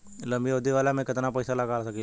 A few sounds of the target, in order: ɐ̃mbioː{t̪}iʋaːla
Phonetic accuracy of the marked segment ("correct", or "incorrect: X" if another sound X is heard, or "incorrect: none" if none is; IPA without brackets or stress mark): incorrect: d̪